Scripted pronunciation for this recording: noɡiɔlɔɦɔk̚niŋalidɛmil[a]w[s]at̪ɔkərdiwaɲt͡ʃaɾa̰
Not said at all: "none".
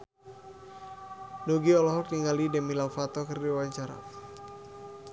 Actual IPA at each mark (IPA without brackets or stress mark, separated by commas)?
a, f